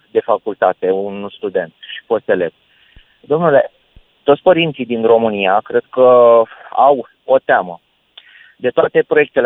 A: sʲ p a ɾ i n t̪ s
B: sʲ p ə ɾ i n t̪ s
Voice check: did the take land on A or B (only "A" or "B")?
B